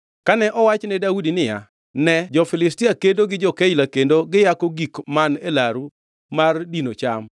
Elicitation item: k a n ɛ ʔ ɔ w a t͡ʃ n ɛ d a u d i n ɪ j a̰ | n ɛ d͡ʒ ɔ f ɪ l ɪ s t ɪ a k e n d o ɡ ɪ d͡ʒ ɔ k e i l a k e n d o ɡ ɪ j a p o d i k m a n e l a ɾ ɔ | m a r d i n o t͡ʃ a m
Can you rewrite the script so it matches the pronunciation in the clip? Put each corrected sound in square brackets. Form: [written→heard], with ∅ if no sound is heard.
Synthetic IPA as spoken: k a n ɛ ʔ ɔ w a t͡ʃ n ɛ d a u d i n ɪ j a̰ | n ɛ d͡ʒ ɔ f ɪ l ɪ s t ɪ a k e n d o ɡ ɪ d͡ʒ ɔ k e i l a k e n d o ɡ ɪ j a [p→k] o [d→ɡ] i k m a n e l a ɾ [ɔ→u] | m a r d i n o t͡ʃ a m